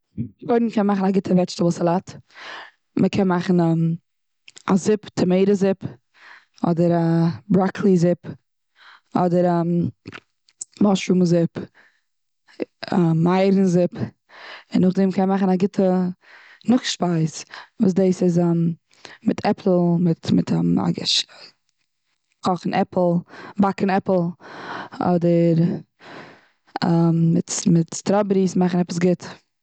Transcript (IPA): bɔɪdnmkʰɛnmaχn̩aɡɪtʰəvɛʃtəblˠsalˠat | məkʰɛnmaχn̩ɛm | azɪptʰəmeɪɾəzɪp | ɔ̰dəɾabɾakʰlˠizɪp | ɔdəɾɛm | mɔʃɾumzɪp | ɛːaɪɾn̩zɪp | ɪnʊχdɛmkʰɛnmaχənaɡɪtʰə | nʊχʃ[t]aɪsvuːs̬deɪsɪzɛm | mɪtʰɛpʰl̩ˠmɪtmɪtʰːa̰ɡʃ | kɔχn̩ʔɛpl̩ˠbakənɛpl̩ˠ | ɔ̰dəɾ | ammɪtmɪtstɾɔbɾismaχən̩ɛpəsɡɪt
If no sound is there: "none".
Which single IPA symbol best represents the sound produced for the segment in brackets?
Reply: p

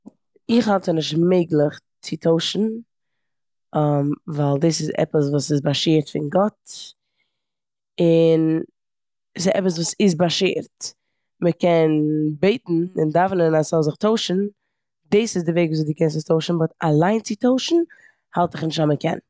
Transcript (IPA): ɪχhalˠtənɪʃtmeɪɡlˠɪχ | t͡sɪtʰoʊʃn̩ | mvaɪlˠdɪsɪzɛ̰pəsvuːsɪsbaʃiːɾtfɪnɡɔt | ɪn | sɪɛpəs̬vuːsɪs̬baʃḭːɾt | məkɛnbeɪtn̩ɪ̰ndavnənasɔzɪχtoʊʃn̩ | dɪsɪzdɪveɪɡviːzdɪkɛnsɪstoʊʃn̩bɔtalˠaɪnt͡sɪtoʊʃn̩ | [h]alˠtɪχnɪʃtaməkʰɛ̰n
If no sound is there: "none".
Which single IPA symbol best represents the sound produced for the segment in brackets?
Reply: h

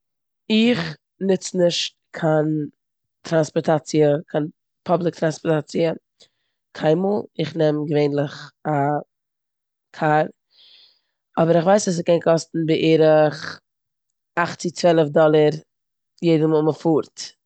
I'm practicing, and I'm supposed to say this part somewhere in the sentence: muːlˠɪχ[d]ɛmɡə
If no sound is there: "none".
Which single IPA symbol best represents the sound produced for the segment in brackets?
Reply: n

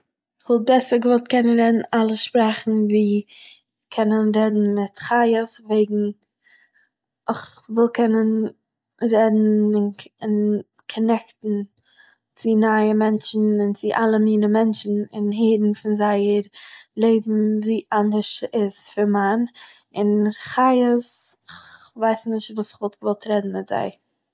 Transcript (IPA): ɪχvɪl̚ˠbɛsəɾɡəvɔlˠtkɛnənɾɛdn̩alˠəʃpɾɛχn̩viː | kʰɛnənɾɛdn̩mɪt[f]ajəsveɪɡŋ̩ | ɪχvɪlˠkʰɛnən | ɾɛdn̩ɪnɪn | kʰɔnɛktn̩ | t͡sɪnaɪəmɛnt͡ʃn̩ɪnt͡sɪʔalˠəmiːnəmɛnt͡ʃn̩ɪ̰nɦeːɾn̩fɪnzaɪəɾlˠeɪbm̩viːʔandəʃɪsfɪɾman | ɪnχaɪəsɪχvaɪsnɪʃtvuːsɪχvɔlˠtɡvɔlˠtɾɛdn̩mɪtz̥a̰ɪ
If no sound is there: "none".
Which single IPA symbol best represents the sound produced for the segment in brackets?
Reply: χ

